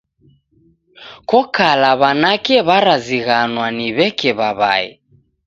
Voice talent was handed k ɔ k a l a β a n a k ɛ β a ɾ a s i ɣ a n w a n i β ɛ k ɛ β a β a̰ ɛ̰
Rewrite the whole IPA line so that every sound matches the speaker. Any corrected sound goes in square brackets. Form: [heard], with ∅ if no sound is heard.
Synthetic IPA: k ɔ k a l a β a n a k ɛ β a ɾ a [z] i ɣ a n w a n i β ɛ k ɛ β a β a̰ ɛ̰